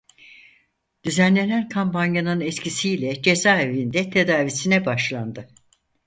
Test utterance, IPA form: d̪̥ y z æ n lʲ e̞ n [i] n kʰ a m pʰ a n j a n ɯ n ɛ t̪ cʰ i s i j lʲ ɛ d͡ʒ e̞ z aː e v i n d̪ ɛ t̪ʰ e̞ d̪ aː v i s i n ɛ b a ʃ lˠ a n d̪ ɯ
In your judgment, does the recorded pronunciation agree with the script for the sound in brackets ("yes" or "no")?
no